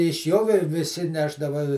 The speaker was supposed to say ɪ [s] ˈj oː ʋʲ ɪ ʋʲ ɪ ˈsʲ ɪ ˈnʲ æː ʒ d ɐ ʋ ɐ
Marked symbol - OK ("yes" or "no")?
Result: no